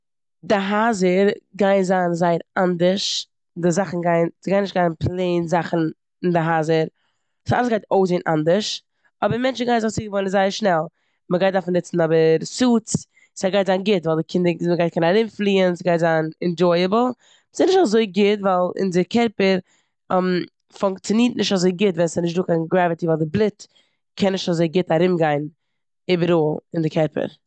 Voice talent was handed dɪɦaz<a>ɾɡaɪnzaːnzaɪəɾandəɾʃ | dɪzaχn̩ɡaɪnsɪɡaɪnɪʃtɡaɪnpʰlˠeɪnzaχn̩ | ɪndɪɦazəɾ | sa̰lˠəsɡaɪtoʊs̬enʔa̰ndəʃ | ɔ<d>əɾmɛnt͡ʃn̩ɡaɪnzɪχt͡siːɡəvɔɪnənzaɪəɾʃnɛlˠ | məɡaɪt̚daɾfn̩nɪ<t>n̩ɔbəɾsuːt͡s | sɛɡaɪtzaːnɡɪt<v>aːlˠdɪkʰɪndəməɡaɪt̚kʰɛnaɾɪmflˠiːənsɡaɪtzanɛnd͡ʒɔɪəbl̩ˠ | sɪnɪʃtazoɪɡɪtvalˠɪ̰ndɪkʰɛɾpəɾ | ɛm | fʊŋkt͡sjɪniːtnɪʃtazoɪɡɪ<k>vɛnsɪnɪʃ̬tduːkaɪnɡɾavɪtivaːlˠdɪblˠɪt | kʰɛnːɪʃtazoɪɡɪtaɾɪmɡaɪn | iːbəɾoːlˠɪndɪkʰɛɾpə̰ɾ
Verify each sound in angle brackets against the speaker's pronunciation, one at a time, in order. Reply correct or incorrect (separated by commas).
incorrect, incorrect, incorrect, correct, incorrect